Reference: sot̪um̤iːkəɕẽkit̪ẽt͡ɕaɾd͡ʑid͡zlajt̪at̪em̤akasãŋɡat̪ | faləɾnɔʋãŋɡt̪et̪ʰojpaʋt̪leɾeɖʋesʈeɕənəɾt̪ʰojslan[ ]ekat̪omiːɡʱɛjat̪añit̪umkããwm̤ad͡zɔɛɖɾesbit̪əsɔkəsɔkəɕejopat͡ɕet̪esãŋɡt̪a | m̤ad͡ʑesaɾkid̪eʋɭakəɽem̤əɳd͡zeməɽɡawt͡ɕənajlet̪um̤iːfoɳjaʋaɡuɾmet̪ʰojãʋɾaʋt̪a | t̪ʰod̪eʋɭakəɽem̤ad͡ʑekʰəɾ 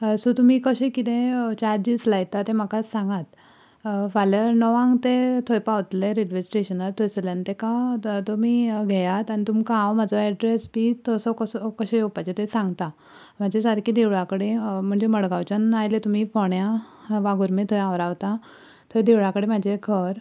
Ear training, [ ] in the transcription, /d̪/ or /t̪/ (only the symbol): t̪